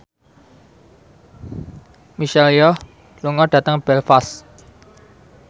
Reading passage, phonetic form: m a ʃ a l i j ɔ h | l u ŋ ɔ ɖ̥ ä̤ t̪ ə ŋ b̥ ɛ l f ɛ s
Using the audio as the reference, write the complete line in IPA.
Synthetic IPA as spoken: m i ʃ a l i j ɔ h | l u ŋ ɔ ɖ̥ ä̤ t̪ ə ŋ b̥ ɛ l f a s